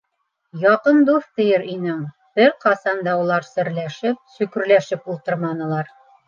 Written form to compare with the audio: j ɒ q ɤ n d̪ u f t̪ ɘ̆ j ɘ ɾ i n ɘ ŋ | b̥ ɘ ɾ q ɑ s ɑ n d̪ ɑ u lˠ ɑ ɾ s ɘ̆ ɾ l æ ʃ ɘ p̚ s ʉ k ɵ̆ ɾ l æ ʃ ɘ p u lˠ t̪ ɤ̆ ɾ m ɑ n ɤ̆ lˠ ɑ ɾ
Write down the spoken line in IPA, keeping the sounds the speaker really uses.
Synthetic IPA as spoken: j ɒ q ɤ n d̪ u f t̪ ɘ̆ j ɘ ɾ i n ɘ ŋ | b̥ ɘ ɾ q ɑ s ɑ n d̪ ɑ u lˠ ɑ ɾ s ɘ̆ ɾ l æ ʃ ɘ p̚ s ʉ k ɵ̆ ɾ l æ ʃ ɘ p u lˠ t̪ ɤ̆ ɾ m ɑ n ɤ̆ lˠ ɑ ɾ